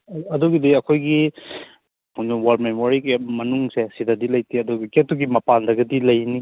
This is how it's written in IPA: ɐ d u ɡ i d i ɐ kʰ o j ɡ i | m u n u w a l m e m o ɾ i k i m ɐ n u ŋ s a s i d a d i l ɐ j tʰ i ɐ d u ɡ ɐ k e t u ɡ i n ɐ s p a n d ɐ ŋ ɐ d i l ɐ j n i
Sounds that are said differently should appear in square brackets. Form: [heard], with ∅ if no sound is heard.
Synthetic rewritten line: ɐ d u ɡ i d i ɐ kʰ o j ɡ i | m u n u w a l m e m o ɾ i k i m ɐ n u ŋ s [e] s i d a d i l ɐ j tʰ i ɐ d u ɡ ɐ k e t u ɡ i [m] ɐ [∅] p a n d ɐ [ɡ] ɐ d i l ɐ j n i